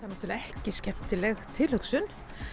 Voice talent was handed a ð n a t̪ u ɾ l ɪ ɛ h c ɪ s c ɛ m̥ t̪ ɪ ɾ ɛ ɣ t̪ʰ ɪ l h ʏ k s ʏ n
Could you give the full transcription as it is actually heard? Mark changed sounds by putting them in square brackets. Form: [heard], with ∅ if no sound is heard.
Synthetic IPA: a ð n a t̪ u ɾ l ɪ ɛ h c ɪ s c ɛ m̥ t̪ ɪ [l] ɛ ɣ t̪ʰ ɪ l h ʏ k s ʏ n